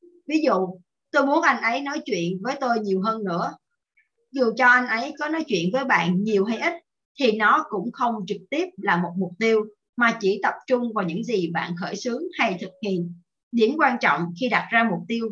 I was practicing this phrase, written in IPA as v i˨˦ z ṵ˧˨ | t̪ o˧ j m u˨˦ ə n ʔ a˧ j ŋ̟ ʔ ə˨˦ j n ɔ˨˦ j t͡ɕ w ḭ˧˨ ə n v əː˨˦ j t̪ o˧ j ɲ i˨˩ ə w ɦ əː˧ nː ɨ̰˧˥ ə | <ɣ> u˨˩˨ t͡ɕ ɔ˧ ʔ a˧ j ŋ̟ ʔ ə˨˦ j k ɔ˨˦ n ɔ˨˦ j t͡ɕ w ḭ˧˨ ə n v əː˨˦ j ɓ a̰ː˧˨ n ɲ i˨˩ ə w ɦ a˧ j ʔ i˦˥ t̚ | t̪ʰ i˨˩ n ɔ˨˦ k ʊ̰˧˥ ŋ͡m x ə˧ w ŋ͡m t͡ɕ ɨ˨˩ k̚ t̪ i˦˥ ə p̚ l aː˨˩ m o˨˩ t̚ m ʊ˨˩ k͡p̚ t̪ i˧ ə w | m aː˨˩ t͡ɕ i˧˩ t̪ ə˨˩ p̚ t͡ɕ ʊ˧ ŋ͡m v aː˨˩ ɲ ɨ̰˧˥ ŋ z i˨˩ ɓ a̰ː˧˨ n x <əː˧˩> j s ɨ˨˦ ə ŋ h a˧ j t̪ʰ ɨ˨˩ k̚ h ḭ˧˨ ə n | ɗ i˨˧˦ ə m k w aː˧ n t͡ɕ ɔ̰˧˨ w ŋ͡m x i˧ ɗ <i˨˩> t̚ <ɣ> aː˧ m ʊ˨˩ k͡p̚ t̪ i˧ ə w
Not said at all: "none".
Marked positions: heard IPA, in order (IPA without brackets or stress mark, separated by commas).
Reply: z, əː˧˩, a˨˩, z